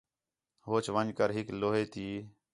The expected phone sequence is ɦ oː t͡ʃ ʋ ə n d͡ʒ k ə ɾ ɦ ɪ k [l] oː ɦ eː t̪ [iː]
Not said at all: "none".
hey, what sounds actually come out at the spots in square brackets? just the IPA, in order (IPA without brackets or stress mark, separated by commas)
l, iː